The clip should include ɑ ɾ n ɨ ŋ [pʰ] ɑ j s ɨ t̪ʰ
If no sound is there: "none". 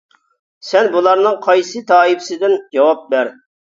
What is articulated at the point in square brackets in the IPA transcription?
qʰ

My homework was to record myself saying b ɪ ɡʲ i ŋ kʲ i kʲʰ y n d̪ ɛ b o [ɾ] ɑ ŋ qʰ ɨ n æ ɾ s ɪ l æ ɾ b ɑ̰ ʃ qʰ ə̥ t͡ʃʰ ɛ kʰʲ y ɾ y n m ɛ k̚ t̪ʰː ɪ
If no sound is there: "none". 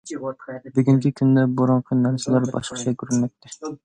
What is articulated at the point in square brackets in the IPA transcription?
ɾ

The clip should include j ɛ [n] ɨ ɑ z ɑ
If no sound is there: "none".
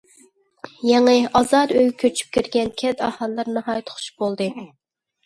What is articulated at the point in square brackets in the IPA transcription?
ŋ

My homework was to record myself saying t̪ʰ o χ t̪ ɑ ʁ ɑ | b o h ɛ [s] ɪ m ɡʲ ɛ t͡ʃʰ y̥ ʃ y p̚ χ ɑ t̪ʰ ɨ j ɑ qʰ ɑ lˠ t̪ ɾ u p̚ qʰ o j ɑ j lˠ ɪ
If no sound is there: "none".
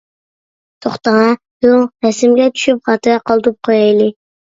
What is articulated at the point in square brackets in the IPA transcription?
s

